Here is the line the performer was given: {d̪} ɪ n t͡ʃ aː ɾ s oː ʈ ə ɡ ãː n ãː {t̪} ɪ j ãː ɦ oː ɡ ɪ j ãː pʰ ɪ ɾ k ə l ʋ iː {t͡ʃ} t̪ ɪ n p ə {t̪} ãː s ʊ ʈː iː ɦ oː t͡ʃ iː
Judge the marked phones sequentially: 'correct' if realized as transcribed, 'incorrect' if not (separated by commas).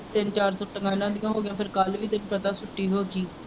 incorrect, incorrect, incorrect, correct